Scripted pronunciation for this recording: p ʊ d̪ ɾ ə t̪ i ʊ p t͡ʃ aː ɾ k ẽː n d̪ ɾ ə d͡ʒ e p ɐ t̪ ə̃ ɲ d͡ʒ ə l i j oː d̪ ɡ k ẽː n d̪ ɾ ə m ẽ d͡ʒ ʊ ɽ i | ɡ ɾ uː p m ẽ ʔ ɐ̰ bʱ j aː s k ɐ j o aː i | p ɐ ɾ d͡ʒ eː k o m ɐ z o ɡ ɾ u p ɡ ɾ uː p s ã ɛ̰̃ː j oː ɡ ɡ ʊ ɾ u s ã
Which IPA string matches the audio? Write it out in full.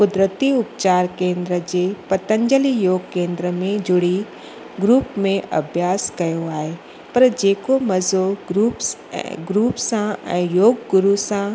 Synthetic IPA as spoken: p ʊ d̪ ɾ ə t̪ i ʊ p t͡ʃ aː ɾ k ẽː n d̪ ɾ ə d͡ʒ e p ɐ t̪ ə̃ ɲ d͡ʒ ə l i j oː ɡ k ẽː n d̪ ɾ ə m ẽ d͡ʒ ʊ ɽ i | ɡ ɾ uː p m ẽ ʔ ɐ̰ bʱ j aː s k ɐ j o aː e | p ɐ ɾ d͡ʒ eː k o m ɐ z o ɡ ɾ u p ɡ ɾ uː p s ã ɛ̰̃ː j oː ɡ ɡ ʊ ɾ u s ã